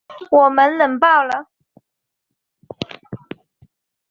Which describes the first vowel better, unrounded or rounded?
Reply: rounded